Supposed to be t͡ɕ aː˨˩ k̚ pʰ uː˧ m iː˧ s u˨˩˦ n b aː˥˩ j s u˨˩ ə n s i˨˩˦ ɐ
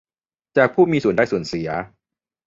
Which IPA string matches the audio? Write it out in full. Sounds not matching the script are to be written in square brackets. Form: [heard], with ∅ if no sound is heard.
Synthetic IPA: t͡ɕ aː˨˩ k̚ pʰ [uː˥˩] m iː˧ s u˨˩˦ n [d] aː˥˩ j s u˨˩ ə n s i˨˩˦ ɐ